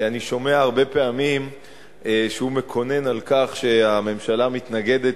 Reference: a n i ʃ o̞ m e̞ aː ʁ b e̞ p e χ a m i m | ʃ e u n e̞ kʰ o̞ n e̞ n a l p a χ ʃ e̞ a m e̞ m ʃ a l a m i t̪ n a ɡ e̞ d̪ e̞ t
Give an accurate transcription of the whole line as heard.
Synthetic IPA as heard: a n i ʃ o̞ m e̞ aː ʁ b e̞ p e a m i m | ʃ e u m e̞ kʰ o̞ n e̞ n a l k a χ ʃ e̞ a m e̞ m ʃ a l a m i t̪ n a ɡ e̞ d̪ e̞ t